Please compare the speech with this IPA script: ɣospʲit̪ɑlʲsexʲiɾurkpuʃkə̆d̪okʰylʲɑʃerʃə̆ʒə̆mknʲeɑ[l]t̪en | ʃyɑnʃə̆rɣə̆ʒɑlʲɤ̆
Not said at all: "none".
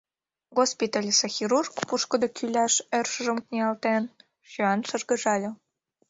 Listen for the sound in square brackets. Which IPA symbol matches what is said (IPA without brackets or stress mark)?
l